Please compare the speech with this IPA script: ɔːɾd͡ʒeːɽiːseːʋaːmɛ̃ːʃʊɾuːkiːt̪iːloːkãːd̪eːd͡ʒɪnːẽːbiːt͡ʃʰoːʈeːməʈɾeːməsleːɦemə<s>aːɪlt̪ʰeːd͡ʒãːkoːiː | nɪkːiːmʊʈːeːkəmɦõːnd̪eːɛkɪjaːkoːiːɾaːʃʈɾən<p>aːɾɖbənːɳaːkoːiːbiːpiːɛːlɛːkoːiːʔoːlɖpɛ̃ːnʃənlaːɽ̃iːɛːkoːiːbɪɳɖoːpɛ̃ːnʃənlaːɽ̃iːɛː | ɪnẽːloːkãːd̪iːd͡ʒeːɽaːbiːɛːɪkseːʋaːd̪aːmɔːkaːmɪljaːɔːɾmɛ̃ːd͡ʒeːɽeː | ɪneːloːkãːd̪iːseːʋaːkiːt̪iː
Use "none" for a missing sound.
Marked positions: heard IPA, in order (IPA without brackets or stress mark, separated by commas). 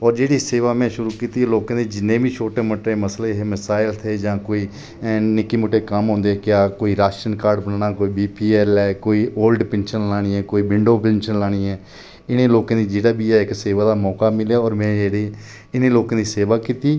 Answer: s, k